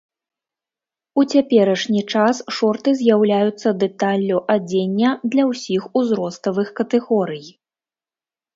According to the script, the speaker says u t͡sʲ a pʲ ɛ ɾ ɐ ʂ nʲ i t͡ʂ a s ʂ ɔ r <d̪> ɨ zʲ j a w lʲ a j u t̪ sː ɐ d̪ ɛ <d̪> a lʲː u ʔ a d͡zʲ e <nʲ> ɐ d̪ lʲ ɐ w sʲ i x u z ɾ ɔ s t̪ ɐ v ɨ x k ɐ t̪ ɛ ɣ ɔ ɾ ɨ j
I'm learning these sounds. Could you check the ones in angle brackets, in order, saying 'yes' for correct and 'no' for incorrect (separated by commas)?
no, no, no